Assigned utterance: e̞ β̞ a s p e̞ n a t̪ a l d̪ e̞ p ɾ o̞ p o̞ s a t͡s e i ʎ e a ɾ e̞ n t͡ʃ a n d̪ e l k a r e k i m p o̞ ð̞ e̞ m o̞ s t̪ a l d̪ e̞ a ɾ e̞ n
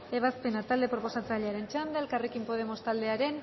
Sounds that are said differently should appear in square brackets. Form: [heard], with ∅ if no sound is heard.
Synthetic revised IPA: e̞ β̞ a s p e̞ n a t̪ a l d̪ e̞ p ɾ o̞ p o̞ s a t͡s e [a] ʎ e a ɾ e̞ n t͡ʃ a n d̪ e l k a r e k i m p o̞ ð̞ e̞ m o̞ s t̪ a l d̪ e̞ a ɾ e̞ n